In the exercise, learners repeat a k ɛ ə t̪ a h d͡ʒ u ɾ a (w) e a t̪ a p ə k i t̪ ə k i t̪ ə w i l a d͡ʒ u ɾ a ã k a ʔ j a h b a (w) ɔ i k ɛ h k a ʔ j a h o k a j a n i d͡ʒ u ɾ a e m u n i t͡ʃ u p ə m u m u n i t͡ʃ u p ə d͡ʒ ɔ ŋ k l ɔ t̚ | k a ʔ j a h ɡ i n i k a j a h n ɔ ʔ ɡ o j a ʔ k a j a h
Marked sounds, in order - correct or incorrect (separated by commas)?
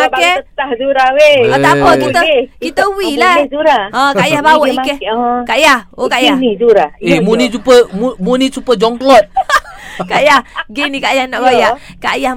correct, correct